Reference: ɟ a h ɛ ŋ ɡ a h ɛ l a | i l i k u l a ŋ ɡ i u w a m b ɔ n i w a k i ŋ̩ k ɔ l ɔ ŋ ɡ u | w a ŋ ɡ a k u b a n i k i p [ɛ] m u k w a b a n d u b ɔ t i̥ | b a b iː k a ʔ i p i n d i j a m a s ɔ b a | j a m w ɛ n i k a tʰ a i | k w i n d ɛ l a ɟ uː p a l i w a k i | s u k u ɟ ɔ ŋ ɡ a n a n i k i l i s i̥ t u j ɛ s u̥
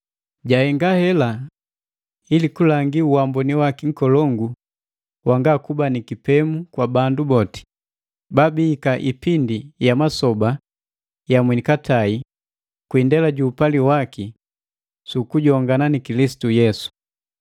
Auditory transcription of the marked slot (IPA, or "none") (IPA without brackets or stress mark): ɛ